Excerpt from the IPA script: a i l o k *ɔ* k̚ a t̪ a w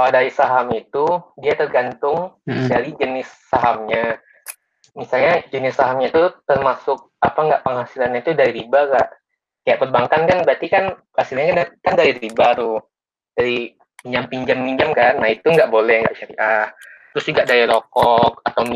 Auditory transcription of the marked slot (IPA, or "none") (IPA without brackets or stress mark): ɔ